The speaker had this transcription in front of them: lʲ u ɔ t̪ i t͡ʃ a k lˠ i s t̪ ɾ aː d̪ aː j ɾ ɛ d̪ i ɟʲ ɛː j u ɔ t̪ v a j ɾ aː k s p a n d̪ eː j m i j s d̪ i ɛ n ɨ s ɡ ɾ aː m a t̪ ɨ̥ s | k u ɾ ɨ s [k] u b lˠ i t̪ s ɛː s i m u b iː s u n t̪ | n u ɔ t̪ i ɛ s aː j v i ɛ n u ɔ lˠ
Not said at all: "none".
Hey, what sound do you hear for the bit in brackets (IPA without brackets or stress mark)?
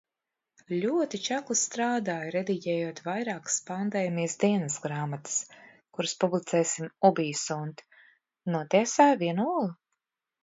p